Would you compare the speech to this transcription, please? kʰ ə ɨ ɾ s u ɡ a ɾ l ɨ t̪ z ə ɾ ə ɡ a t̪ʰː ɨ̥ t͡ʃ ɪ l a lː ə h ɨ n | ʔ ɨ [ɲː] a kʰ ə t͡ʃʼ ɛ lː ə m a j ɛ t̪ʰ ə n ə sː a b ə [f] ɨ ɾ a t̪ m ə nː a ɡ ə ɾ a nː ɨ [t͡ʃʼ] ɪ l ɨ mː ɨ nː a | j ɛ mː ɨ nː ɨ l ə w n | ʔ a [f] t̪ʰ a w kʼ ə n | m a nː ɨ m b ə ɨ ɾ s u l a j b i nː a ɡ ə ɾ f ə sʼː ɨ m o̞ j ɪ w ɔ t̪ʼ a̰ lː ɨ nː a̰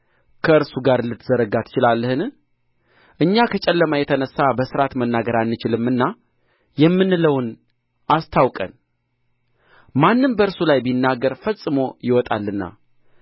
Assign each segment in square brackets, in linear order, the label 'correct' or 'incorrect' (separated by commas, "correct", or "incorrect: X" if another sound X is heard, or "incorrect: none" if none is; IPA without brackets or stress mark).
correct, incorrect: s, incorrect: t͡ʃ, incorrect: s